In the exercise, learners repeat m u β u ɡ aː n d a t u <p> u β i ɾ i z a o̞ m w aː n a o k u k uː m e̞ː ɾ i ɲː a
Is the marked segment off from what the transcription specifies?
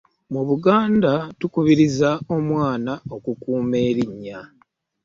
yes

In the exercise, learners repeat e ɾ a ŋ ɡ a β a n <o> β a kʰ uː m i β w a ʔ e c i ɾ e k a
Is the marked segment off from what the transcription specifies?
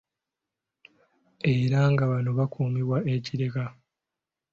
no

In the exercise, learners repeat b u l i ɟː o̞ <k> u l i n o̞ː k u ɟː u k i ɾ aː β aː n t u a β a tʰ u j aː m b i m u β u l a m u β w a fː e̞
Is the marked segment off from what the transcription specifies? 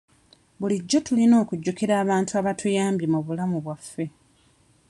yes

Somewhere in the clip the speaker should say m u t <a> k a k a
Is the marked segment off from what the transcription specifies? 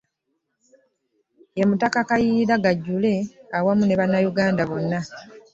no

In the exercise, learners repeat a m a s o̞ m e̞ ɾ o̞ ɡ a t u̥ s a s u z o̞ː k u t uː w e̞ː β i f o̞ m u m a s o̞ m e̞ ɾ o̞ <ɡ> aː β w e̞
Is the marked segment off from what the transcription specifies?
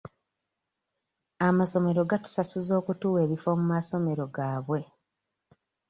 no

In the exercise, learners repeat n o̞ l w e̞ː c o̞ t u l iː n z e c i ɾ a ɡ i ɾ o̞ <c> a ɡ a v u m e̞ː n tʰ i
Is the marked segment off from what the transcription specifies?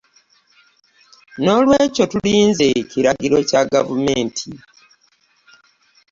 no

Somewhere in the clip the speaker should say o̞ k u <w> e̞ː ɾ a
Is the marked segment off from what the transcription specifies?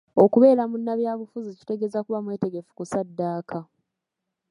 yes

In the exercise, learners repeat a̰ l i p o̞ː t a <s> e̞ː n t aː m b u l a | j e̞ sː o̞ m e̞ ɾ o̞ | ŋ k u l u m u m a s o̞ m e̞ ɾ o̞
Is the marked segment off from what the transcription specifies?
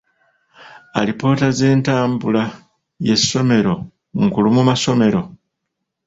yes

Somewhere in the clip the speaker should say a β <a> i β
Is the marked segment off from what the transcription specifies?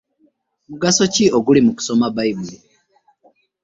no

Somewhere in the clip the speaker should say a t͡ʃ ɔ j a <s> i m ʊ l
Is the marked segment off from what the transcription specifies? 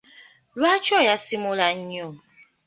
no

